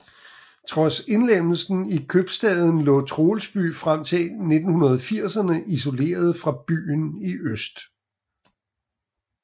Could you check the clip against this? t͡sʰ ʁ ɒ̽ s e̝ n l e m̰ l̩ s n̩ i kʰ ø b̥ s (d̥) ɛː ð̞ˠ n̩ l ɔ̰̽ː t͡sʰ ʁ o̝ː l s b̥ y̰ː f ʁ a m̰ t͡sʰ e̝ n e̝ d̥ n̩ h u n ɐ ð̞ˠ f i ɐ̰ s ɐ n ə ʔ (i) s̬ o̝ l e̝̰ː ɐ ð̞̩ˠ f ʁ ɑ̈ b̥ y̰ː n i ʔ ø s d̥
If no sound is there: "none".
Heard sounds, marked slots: d̥, i

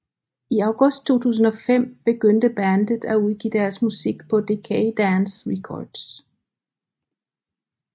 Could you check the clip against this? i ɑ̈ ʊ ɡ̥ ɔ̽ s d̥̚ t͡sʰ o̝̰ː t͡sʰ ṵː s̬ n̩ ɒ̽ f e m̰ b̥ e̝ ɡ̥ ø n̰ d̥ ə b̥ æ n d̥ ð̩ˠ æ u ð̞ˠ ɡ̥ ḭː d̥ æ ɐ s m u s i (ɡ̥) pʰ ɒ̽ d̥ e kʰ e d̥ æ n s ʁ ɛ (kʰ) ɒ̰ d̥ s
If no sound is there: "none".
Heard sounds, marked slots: ɡ̥, kʰ

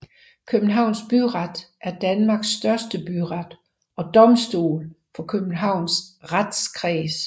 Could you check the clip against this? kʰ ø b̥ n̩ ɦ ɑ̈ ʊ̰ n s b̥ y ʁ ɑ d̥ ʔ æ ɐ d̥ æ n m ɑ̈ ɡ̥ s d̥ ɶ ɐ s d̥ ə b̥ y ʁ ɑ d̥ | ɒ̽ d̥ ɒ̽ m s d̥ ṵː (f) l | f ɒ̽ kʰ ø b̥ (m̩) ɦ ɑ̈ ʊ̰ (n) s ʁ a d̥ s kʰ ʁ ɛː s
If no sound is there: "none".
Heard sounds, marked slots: none, n̩, n

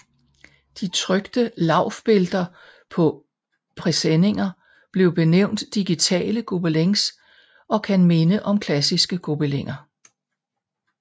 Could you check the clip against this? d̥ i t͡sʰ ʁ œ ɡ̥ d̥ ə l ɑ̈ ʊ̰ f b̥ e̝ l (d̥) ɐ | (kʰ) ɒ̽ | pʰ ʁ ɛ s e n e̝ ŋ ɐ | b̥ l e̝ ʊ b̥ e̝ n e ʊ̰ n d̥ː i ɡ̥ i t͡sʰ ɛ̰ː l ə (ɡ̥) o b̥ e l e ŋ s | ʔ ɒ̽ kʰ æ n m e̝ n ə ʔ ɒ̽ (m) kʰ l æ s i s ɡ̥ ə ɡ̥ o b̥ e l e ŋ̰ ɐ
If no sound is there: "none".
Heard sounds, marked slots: d̥, pʰ, ɡ̥, m

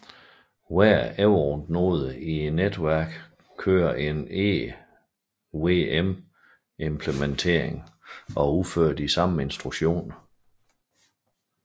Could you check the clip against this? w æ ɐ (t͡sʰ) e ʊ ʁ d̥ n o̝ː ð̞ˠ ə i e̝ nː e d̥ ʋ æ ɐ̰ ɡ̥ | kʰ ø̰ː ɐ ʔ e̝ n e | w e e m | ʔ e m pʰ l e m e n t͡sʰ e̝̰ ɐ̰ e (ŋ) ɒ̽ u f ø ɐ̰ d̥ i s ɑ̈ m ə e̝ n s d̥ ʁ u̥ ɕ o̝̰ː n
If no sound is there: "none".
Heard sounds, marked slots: none, ŋ

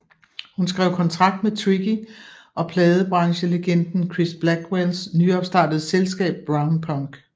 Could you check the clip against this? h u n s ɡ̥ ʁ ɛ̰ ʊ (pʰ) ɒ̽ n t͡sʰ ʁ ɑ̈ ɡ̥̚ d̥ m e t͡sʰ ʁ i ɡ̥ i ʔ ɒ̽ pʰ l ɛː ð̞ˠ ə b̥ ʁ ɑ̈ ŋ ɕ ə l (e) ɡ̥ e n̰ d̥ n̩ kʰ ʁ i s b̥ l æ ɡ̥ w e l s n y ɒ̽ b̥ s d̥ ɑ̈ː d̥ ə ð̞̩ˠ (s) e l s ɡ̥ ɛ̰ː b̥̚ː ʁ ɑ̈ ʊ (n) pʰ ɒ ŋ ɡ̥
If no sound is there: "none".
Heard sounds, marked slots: kʰ, e, s, n

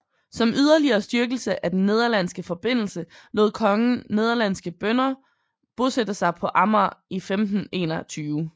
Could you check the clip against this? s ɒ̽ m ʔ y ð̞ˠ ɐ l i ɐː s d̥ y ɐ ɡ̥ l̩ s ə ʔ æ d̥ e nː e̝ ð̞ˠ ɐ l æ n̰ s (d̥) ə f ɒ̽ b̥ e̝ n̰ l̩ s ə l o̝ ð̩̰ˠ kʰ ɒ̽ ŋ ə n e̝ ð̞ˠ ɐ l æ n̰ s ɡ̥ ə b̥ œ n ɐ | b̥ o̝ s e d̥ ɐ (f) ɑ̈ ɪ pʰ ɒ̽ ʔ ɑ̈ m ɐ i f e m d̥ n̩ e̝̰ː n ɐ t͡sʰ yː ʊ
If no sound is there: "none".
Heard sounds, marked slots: ɡ̥, s

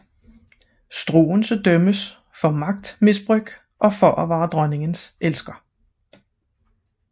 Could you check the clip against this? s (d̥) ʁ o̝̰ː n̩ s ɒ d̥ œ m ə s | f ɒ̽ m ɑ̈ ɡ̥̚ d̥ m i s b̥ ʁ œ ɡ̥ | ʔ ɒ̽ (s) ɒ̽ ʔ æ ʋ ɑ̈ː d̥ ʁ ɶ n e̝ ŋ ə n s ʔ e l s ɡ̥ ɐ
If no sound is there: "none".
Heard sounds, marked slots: d̥, f

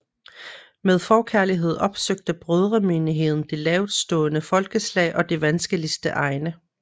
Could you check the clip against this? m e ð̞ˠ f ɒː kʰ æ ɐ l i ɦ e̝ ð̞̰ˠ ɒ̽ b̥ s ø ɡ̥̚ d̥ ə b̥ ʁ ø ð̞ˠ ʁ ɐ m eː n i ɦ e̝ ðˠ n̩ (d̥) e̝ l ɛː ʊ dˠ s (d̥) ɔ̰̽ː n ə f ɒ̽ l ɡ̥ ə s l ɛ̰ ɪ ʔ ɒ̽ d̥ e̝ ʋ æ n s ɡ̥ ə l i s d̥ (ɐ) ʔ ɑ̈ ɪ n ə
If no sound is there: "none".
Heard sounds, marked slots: d̥, d̥, ə

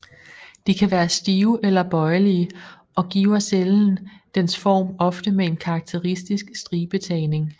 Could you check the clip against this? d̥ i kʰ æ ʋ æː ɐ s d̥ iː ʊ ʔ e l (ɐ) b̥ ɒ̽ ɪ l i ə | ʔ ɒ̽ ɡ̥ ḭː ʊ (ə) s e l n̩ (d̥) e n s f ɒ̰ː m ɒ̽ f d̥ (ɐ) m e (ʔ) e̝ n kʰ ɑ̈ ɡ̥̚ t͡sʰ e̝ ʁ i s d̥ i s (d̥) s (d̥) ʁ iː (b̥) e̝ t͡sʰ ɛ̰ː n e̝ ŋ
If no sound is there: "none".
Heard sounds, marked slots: ɐ, ɐ, d̥, ə, none, ɡ̥, d̥, b̥

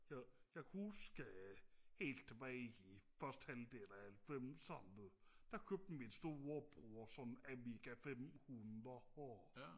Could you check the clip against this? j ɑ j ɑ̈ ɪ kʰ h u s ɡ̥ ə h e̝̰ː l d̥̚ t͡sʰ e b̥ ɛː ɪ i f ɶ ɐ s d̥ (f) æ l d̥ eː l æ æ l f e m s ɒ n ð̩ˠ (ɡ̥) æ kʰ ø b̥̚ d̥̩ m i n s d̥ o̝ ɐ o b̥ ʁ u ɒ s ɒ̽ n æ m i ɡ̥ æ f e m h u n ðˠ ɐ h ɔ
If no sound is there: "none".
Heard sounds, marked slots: h, d̥

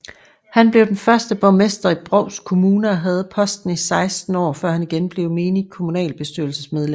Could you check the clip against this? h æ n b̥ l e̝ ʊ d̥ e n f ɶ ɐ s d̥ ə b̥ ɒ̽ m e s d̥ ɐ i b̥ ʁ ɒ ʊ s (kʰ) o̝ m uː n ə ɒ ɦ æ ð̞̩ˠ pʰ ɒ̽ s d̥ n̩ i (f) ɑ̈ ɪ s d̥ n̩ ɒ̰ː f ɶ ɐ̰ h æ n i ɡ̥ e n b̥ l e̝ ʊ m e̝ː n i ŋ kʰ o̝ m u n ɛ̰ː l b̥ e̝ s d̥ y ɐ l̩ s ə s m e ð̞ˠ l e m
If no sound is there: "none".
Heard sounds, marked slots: kʰ, s

